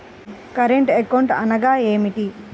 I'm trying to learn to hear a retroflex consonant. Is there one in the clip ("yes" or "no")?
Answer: yes